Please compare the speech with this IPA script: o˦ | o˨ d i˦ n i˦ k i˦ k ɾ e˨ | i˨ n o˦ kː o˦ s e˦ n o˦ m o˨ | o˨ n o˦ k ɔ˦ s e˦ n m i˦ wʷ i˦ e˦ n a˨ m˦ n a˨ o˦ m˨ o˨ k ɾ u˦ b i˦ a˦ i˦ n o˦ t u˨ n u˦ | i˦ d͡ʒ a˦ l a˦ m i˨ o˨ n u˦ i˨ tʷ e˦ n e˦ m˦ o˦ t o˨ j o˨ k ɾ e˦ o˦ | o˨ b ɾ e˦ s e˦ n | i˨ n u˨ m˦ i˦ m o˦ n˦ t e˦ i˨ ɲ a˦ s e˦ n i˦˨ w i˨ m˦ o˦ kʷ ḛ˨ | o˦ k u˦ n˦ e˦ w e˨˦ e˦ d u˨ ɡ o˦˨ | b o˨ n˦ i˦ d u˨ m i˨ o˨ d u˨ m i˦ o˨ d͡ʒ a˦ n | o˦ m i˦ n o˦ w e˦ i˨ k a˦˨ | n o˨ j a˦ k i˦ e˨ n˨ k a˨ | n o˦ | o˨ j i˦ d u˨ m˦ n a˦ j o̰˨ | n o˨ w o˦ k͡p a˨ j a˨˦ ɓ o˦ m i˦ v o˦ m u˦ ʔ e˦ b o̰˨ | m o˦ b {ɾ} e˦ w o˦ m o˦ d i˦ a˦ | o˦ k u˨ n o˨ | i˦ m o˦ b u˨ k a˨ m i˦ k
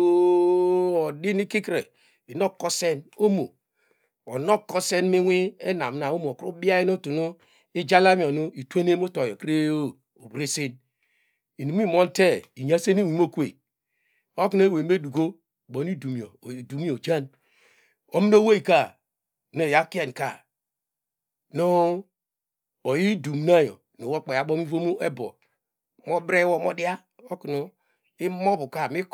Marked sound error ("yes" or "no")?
no